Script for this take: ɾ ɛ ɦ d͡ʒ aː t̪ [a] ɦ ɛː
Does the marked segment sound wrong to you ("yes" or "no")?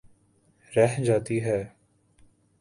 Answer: yes